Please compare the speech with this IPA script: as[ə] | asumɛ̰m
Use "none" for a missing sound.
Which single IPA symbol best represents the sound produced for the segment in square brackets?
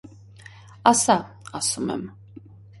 a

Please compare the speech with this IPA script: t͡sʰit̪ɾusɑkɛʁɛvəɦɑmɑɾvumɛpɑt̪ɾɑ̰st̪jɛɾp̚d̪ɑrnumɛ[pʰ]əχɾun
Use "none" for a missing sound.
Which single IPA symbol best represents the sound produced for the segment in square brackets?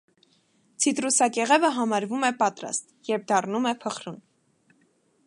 pʰ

